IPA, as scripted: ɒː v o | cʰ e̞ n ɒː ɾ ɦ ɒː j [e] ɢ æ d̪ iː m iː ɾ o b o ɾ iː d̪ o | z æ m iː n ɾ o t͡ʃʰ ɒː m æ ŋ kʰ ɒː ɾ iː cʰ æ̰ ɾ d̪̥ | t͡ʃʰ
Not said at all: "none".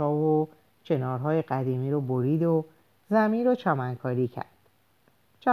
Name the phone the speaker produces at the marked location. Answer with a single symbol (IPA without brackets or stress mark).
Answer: e